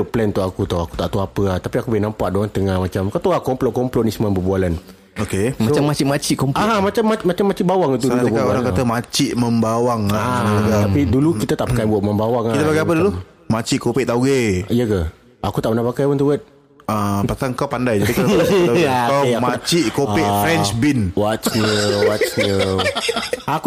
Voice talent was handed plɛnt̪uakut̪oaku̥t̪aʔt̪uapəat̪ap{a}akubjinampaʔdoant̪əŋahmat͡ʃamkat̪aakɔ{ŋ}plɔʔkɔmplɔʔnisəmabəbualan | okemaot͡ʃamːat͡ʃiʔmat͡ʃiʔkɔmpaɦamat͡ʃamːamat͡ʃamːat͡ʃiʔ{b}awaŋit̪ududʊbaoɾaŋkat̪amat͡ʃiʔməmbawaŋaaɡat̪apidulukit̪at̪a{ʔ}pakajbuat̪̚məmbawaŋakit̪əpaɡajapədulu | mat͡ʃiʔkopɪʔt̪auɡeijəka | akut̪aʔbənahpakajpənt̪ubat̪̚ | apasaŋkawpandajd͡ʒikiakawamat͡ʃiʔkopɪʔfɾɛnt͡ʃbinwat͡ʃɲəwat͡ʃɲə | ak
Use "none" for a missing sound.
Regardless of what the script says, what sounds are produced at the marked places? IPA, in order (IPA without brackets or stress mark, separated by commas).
i, m, b, ʔ